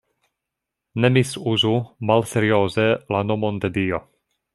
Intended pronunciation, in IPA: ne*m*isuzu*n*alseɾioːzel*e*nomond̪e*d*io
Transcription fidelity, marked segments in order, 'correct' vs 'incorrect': correct, incorrect: m, incorrect: a, correct

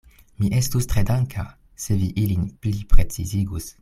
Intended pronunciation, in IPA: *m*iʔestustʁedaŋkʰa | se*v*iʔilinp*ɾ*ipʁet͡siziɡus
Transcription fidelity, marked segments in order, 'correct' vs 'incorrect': correct, correct, incorrect: l

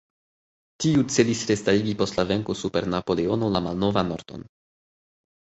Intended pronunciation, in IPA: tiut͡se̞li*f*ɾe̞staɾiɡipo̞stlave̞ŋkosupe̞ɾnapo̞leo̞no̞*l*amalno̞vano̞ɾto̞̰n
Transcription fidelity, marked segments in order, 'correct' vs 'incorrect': incorrect: s, correct

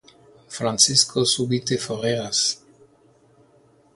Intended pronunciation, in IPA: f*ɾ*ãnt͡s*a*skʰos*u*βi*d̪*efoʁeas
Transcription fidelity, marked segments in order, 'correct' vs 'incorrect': correct, incorrect: i, correct, incorrect: t̪

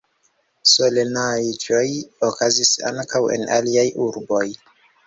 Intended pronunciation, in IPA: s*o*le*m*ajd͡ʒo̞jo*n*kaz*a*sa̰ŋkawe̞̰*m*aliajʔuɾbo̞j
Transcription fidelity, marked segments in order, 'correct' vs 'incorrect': correct, incorrect: n, incorrect: none, incorrect: i, incorrect: n

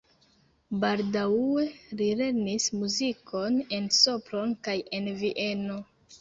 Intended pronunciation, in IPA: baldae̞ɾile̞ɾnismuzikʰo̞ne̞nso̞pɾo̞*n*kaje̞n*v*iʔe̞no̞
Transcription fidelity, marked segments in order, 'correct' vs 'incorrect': correct, correct

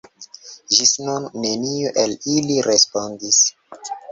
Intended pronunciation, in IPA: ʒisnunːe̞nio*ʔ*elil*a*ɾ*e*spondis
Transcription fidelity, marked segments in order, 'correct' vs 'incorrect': correct, incorrect: i, correct

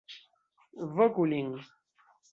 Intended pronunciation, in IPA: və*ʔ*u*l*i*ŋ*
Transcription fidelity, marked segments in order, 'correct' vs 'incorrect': incorrect: k, correct, correct

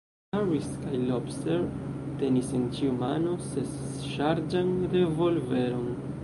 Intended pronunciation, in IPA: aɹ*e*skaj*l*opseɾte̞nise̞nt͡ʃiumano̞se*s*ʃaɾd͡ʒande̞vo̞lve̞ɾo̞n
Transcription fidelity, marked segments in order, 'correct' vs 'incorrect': incorrect: i, correct, correct

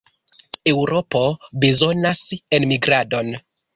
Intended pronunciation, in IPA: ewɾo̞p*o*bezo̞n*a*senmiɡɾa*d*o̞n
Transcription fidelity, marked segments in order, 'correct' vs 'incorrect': correct, correct, correct

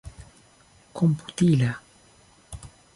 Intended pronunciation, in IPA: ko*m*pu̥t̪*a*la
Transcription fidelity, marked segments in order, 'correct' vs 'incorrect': correct, incorrect: i

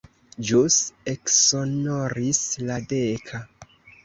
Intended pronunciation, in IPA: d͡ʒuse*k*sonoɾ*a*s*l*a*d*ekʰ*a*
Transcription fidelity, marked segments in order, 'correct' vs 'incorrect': correct, incorrect: i, correct, correct, correct

